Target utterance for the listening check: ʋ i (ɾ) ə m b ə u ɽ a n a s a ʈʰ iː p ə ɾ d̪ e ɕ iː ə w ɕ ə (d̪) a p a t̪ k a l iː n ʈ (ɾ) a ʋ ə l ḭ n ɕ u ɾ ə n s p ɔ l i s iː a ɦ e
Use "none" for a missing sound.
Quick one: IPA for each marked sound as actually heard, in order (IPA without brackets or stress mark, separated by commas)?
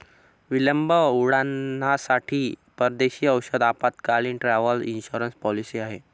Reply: l, d̪, ɾ